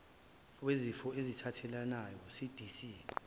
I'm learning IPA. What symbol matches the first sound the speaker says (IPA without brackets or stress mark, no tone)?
w